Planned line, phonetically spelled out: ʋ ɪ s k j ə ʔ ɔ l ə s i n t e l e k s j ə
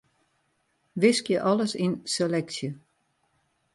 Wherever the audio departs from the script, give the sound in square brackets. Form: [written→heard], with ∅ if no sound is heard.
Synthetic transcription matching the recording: ʋ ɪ s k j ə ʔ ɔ l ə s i n [t→s] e l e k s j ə